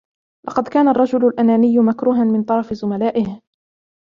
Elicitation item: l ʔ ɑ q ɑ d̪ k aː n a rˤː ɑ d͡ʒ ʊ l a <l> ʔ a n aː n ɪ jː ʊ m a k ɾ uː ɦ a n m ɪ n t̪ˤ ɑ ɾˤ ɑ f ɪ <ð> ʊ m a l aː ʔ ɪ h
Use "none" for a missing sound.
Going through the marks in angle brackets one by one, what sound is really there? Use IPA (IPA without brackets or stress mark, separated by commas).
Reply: l, z